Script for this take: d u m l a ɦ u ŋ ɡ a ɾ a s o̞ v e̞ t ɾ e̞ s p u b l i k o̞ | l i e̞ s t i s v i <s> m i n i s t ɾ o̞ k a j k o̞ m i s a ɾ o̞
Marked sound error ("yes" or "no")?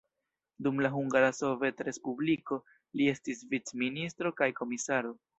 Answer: yes